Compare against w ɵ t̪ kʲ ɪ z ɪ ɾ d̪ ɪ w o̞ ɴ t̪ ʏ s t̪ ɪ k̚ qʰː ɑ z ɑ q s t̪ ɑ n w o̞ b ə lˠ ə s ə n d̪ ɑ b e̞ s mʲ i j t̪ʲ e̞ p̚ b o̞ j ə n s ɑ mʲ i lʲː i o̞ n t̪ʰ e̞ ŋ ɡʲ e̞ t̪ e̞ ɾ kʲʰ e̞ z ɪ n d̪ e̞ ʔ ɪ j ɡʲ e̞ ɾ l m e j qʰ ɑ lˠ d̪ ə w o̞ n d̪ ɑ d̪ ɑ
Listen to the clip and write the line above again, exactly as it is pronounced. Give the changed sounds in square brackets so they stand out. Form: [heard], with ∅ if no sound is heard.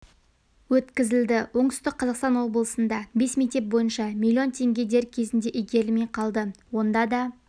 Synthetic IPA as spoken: w ɵ t̪ kʲ ɪ z ɪ [l] d̪ ɪ w o̞ ɴ t̪ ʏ s t̪ ɪ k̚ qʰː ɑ z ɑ q s t̪ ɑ n w o̞ b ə lˠ ə s ə n d̪ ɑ b e̞ s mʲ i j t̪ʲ e̞ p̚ b o̞ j ə n [ʃ] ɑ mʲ i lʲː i o̞ n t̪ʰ e̞ ŋ ɡʲ e̞ [d̪] e̞ ɾ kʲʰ e̞ z ɪ n d̪ e̞ ʔ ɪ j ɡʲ e̞ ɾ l m e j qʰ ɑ lˠ d̪ ə w o̞ n d̪ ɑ d̪ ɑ